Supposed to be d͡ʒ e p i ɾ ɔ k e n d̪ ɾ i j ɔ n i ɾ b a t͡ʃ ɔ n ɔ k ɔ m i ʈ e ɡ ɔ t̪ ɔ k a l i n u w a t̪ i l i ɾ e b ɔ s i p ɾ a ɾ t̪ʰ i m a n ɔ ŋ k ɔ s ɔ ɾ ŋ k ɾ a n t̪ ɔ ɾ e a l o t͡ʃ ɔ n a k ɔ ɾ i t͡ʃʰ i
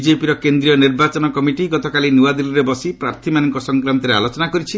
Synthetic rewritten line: d͡ʒ e p i ɾ ɔ k e n d̪ ɾ i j ɔ n i ɾ b a t͡ʃ ɔ n ɔ k ɔ m i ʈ i ɡ ɔ t̪ ɔ k a l i n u w a d̪ i l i ɾ e b ɔ s i p ɾ a ɾ t̪ʰ i m a n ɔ ŋ k ɔ s ɔ ŋ k ɾ a n t̪ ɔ ɾ e a l o t͡ʃ ɔ n a k ɔ ɾ i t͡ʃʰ i